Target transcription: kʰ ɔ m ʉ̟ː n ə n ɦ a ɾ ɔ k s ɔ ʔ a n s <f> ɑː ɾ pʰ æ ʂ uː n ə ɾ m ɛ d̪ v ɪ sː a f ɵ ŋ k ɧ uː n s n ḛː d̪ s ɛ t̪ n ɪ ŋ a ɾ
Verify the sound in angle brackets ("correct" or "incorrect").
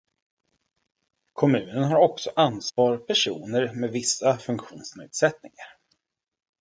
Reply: incorrect